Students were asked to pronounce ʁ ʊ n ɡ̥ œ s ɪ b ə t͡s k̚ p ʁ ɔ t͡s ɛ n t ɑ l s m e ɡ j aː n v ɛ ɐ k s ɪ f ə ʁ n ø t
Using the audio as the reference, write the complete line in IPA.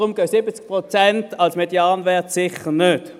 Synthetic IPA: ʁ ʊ m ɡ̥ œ s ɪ b ə t͡s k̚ p ʁ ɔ t͡s ɛ n t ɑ l s m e d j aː n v ɛ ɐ t s ɪ χ ə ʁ n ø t